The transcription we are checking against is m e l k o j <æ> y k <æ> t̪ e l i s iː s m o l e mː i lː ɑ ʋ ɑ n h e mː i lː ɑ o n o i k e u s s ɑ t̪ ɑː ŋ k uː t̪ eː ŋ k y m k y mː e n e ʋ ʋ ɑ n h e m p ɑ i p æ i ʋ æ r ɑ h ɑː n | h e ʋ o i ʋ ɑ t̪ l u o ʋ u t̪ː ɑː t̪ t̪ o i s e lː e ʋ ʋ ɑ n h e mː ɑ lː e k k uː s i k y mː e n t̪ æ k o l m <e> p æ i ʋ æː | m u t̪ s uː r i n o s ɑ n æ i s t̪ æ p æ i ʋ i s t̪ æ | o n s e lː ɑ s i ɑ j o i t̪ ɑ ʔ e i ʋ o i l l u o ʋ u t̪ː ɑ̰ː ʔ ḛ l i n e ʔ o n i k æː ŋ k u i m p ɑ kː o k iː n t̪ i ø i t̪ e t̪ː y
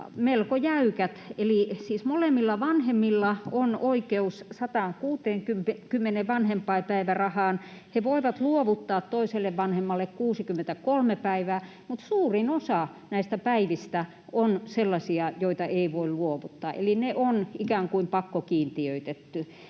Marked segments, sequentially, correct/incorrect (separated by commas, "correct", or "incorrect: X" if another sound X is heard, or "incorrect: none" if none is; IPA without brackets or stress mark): correct, correct, correct